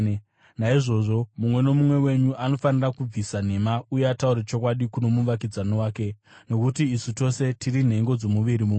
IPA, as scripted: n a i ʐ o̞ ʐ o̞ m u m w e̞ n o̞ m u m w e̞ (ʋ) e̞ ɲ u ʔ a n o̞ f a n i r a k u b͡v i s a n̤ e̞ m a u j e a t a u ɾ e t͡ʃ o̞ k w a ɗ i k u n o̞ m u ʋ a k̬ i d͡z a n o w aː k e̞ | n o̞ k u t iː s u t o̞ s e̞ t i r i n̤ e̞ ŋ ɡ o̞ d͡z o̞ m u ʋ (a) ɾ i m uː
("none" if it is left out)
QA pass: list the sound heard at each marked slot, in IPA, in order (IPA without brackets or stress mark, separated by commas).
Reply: w, i